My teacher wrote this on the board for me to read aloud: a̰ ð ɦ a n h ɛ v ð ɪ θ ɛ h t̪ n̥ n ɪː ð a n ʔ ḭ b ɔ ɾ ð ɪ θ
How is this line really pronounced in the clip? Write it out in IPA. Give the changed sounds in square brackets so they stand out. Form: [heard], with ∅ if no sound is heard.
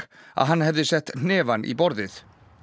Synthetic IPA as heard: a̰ ð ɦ a n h ɛ v ð ɪ [s] ɛ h t̪ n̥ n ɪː [v] a n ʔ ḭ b ɔ ɾ ð ɪ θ

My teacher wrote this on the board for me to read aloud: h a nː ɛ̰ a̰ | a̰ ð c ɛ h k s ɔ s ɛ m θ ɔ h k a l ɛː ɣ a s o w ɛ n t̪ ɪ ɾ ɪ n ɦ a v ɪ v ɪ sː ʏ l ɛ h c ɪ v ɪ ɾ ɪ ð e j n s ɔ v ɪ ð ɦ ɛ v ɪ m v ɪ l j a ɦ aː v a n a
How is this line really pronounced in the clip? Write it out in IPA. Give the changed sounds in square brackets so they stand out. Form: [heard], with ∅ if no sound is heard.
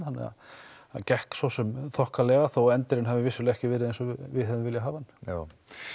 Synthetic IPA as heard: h a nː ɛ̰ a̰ | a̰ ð c ɛ h k s ɔ s ɛ m θ ɔ h k a l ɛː ɣ a [θ] o w ɛ n t̪ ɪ ɾ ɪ n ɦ a v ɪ v ɪ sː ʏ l ɛ h c ɪ v ɪ ɾ ɪ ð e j n s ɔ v ɪ ð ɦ ɛ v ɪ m v ɪ l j a ɦ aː v a n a

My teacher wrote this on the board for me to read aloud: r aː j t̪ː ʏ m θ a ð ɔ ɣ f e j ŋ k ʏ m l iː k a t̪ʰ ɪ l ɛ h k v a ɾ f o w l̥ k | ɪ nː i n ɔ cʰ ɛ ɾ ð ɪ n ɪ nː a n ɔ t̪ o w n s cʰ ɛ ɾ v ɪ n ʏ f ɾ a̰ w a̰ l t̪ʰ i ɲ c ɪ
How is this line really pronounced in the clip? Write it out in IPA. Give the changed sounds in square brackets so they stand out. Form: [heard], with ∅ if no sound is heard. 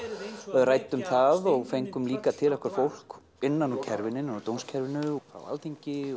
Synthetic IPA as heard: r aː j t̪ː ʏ m θ a ð ɔ ɣ f e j ŋ k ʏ m l iː k a t̪ʰ ɪ l ɛ h k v a ɾ f o w l̥ k | ɪ nː [a] n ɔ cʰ ɛ ɾ [v] ɪ n ɪ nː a n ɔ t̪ o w n s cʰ ɛ ɾ v ɪ n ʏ f ɾ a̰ w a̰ l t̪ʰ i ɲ c ɪ

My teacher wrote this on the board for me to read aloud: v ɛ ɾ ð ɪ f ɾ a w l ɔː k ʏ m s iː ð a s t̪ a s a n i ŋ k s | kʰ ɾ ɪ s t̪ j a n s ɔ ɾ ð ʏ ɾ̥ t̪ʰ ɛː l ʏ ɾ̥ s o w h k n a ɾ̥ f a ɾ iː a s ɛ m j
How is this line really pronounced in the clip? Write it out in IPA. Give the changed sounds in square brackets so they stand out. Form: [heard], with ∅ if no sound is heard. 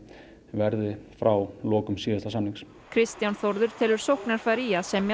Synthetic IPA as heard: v ɛ ɾ ð ɪ f ɾ a w l ɔː k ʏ m s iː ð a s t̪ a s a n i ŋ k s | kʰ ɾ ɪ s t̪ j a n [θ] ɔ ɾ ð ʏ ɾ̥ t̪ʰ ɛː l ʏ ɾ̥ s o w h k n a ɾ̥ f a ɾ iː a s ɛ m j

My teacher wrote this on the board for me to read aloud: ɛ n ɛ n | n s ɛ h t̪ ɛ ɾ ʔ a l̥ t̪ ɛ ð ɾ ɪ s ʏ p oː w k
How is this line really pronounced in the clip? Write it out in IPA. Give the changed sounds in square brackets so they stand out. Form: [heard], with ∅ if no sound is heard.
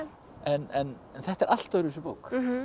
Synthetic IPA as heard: ɛ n ɛ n | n [θ] ɛ h t̪ ɛ ɾ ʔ a l̥ t̪ [a] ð ɾ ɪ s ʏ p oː w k

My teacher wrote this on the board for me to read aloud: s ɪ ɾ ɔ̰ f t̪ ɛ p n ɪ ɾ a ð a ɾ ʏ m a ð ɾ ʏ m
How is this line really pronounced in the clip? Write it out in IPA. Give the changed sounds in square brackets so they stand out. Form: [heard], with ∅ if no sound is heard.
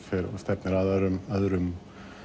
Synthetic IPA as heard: [f] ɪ ɾ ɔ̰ [s] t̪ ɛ p n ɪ ɾ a ð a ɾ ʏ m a ð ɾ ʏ m

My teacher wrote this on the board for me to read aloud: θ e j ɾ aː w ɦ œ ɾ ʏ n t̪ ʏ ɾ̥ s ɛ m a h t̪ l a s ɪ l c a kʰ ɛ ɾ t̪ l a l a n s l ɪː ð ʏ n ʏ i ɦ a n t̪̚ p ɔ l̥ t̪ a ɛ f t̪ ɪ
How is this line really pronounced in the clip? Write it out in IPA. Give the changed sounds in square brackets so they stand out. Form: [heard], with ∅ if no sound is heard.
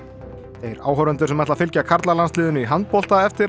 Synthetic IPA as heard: θ e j ɾ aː w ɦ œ ɾ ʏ n t̪ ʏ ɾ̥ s ɛ m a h t̪ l a [f] ɪ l c a kʰ [a] ɾ t̪ l a l a n s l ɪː ð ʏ n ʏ i ɦ a n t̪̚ p ɔ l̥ t̪ a ɛ f t̪ ɪ

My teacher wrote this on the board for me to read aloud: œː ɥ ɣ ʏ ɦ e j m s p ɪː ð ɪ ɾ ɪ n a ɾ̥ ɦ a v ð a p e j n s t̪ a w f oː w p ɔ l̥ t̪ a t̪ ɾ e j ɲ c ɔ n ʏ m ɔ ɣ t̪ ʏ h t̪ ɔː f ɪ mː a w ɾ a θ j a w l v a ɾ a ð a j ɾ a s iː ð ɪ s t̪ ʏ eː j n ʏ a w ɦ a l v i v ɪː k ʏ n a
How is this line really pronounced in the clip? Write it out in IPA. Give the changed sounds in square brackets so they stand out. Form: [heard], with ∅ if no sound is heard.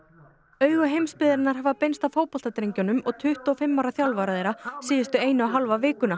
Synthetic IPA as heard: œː ɥ ɣ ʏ ɦ e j m s p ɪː ð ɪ ɾ ɪ n a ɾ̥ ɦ a v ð a p e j n s t̪ a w f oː w p ɔ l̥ t̪ a t̪ ɾ e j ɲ c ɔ n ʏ m ɔ ɣ [t̪ʰ] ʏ h t̪ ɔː f ɪ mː a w ɾ a θ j a w l v a ɾ a ð [e] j ɾ a s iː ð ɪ s t̪ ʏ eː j n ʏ a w ɦ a l v [a] v ɪː k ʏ n a

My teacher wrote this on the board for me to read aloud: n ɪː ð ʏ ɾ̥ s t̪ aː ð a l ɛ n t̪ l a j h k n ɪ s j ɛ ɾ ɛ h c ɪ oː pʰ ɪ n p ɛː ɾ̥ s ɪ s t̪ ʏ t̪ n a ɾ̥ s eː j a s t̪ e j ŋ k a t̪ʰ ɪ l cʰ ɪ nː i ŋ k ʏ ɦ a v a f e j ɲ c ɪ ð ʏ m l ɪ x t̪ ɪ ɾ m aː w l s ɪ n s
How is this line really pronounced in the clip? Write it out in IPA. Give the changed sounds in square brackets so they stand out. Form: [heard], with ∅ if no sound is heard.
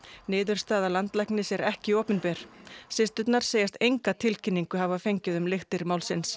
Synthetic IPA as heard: n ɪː ð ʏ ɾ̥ s t̪ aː ð a l [a] n t̪ l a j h k n ɪ s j ɛ ɾ ɛ h c ɪ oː [p] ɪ n p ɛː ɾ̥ s ɪ s t̪ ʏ t̪ n a ɾ̥ s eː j a s t̪ e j ŋ k a t̪ʰ ɪ l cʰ ɪ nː i ŋ k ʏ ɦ a v a f e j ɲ c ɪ ð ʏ m l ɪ x t̪ ɪ ɾ m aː w l s ɪ n s

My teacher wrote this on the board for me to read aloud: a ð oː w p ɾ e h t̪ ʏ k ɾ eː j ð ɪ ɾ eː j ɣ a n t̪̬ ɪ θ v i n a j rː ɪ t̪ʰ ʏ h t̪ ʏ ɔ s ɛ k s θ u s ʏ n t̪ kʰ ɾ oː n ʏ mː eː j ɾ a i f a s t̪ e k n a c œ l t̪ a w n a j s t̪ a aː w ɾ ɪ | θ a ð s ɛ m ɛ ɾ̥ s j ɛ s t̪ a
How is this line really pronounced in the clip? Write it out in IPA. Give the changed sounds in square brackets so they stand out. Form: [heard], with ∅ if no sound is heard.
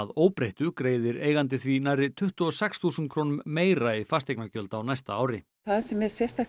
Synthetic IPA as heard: a ð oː w p ɾ e h t̪ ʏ k ɾ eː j ð ɪ ɾ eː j ɣ a n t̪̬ ɪ θ v i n a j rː ɪ t̪ʰ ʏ h t̪ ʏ ɔ s ɛ k s θ u s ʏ n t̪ kʰ ɾ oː n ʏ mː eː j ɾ a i f a s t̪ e k n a c œ l t̪ a w n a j s t̪ a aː w ɾ ɪ | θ a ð s ɛ m ɛ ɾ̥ s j ɛ s t̪ a

